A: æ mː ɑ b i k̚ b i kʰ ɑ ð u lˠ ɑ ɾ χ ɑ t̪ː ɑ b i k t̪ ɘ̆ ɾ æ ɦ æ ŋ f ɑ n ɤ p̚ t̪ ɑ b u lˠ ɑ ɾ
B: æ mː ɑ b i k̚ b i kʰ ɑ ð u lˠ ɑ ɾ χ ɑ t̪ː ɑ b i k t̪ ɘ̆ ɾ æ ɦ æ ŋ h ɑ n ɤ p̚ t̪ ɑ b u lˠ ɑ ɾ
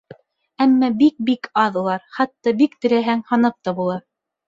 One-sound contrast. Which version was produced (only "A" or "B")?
B